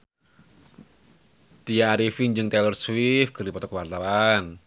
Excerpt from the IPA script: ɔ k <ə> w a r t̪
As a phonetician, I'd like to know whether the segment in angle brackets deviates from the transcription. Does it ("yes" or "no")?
no